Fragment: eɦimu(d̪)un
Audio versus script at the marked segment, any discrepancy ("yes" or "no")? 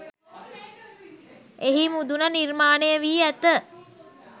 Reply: no